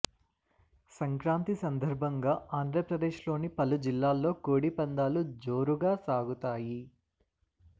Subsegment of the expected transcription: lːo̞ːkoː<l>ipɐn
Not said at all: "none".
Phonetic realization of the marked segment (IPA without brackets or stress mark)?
ɽ